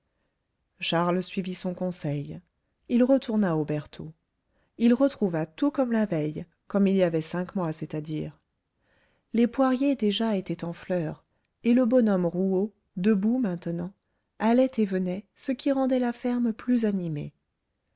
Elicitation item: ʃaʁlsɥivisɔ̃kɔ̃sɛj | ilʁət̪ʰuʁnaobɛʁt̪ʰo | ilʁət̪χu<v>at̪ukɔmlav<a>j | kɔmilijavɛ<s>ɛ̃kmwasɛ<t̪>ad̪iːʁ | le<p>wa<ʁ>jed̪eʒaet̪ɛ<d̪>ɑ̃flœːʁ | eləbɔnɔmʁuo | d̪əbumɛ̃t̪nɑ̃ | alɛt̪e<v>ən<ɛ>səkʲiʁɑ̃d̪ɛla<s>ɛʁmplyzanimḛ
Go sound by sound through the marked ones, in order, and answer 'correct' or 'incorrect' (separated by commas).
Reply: correct, incorrect, correct, correct, correct, correct, incorrect, correct, correct, incorrect